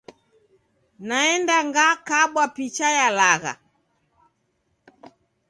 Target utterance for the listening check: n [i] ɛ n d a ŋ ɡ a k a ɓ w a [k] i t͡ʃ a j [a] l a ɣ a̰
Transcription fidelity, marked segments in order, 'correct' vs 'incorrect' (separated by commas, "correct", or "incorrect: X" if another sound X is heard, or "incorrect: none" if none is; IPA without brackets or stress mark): incorrect: a, incorrect: p, correct